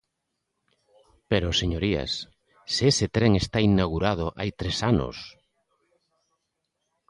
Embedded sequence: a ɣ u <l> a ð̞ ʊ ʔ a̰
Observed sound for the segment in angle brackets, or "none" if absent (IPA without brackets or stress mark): ɾ